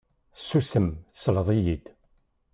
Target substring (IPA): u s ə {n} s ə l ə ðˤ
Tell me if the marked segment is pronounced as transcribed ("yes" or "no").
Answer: no